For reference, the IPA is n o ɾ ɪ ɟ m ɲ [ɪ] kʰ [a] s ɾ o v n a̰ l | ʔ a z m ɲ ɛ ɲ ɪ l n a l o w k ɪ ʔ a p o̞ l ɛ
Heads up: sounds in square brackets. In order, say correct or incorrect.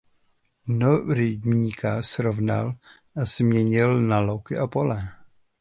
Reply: incorrect: i, correct

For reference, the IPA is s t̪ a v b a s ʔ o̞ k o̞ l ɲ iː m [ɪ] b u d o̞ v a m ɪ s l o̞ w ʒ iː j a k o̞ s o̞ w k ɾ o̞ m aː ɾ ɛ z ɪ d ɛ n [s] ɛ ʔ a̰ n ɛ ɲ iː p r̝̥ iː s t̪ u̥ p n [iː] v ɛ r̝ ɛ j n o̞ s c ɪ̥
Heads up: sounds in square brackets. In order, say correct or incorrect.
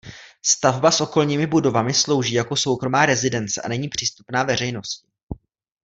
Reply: correct, incorrect: t͡s, incorrect: aː

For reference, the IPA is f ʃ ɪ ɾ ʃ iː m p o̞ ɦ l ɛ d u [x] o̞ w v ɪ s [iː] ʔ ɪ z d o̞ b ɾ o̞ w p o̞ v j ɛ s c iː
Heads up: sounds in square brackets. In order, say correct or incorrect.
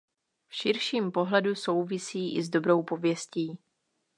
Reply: incorrect: s, correct

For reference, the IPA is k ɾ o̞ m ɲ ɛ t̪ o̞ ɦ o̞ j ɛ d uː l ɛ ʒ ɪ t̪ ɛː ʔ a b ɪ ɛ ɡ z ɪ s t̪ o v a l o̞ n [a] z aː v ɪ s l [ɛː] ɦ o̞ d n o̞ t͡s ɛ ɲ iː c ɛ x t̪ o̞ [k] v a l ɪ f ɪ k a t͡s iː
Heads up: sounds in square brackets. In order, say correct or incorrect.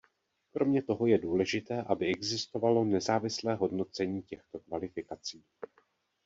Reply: incorrect: ɛ, correct, correct

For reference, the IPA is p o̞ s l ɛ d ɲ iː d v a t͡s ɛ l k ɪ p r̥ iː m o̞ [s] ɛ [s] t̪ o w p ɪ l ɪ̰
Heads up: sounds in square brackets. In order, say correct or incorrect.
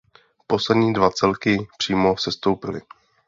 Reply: correct, correct

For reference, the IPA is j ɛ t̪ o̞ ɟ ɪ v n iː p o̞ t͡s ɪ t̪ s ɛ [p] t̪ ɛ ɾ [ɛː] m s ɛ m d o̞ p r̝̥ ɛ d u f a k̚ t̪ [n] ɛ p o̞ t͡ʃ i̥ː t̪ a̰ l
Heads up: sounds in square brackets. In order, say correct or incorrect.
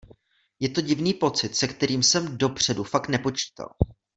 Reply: incorrect: k, incorrect: iː, correct

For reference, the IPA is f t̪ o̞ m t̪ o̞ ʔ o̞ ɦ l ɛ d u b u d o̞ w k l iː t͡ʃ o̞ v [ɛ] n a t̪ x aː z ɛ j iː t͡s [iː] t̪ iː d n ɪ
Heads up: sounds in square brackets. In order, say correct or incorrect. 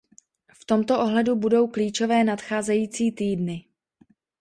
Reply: incorrect: ɛː, correct

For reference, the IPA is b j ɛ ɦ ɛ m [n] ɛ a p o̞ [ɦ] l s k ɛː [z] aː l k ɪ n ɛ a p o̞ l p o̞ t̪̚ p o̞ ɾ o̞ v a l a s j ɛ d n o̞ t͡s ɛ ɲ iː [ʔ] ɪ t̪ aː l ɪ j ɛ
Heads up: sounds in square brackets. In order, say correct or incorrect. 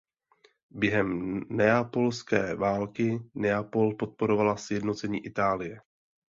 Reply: correct, incorrect: none, incorrect: v, correct

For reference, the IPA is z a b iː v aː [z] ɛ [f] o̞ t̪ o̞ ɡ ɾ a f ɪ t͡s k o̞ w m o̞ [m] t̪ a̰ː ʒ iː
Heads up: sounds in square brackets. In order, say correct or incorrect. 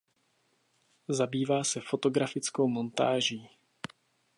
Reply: incorrect: s, correct, incorrect: n

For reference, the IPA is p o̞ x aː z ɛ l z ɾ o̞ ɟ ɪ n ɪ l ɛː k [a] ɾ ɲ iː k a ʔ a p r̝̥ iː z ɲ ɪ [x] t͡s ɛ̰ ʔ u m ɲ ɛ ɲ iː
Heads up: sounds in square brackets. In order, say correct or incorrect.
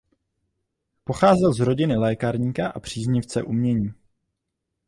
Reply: correct, incorrect: f

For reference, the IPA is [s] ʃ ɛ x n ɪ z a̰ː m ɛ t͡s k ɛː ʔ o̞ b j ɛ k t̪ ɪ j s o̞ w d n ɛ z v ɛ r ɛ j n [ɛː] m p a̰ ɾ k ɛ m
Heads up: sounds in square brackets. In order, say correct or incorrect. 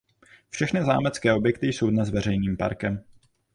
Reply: incorrect: f, incorrect: iː

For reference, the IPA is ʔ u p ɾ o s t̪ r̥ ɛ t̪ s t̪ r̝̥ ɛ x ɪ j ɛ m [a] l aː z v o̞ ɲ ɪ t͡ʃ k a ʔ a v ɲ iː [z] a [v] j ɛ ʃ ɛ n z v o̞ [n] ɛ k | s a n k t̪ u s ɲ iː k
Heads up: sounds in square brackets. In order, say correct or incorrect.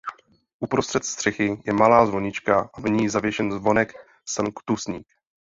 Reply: correct, correct, correct, correct

